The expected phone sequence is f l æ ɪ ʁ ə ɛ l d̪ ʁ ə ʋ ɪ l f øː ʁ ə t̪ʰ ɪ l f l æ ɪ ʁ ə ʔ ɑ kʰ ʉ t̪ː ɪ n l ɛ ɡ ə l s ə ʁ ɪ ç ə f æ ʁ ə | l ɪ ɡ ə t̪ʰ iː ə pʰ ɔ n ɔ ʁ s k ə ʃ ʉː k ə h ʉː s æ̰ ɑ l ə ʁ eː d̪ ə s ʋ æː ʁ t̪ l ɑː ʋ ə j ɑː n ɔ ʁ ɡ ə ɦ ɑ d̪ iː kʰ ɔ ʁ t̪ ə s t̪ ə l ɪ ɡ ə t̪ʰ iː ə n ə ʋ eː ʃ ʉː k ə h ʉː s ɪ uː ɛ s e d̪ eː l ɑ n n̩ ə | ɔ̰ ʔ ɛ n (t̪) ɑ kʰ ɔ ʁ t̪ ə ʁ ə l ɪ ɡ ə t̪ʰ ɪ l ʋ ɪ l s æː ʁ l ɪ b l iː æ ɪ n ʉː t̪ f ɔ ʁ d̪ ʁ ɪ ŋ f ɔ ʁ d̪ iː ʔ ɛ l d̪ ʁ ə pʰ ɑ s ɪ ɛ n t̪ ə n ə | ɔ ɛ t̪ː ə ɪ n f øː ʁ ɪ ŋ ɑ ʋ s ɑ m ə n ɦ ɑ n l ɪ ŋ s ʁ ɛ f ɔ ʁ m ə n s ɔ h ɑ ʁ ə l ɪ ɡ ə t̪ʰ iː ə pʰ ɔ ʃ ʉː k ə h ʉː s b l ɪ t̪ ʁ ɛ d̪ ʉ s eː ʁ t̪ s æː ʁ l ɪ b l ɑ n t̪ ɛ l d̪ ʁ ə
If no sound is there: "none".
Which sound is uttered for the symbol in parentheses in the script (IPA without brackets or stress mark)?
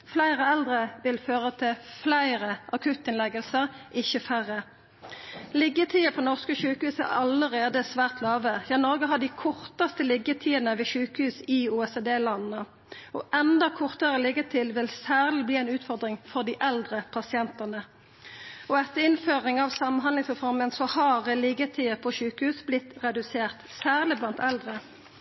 d̪